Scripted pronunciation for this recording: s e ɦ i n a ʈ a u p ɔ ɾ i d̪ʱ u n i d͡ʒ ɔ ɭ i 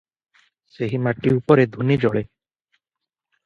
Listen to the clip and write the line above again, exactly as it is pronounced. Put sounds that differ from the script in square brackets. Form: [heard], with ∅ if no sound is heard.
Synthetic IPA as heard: s e ɦ i [m] a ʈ [i] u p ɔ ɾ [e] d̪ʱ u n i d͡ʒ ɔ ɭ [e]